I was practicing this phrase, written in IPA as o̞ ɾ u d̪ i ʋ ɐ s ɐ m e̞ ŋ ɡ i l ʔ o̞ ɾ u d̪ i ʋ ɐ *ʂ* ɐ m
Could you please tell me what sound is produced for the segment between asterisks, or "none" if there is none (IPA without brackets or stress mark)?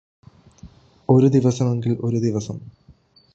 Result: s